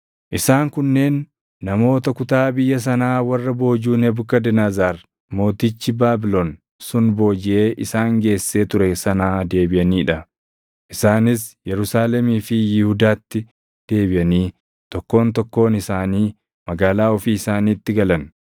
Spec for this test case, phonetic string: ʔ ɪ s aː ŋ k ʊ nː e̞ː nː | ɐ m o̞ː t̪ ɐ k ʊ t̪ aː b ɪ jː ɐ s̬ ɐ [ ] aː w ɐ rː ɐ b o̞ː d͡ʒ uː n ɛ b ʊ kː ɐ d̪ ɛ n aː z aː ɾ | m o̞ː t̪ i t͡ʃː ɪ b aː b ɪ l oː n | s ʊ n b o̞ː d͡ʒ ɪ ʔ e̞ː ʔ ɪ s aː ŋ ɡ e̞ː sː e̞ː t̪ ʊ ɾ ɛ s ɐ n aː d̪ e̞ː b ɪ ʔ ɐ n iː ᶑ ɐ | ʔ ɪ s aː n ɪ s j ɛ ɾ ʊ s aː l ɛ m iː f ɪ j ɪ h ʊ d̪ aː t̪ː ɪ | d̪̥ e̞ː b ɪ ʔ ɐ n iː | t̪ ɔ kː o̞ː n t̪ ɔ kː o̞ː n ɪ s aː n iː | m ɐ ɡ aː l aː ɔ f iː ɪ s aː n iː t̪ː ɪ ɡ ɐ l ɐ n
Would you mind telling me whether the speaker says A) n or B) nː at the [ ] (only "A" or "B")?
A